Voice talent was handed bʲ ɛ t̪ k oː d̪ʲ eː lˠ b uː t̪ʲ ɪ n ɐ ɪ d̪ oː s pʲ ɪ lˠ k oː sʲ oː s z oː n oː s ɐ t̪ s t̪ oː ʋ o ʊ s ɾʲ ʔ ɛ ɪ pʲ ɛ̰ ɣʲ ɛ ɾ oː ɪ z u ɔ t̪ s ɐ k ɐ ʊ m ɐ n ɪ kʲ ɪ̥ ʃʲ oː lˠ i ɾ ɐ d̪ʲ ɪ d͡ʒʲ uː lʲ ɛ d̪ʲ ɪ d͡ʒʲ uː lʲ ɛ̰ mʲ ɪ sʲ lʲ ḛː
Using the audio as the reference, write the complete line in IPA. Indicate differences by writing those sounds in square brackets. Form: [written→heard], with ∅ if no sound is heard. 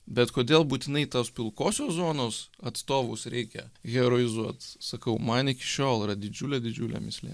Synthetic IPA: bʲ ɛ t̪ k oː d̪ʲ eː lˠ b uː t̪ʲ ɪ n ɐ ɪ [d̪→t̪] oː s pʲ ɪ lˠ k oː sʲ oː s z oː n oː s ɐ t̪ s t̪ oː ʋ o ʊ s ɾʲ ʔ ɛ ɪ [pʲ→kʲ] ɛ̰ ɣʲ ɛ ɾ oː ɪ z u ɔ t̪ s ɐ k ɐ ʊ m ɐ n ɪ kʲ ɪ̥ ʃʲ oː lˠ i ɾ ɐ d̪ʲ ɪ d͡ʒʲ uː lʲ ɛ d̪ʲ ɪ d͡ʒʲ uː lʲ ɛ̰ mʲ ɪ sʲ lʲ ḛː